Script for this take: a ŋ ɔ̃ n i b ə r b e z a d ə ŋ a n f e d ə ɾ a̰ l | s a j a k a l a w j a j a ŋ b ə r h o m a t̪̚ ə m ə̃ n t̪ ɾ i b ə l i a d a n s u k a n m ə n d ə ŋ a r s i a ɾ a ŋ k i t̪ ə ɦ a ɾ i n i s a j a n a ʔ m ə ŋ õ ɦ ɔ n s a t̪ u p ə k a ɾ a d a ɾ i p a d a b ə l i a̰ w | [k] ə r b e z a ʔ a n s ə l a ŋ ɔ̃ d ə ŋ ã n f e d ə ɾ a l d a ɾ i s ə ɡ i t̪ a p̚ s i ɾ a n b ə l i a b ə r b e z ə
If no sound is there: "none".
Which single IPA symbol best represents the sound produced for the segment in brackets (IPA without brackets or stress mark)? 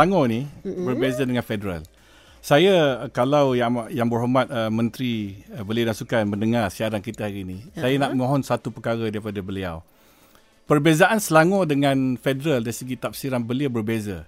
p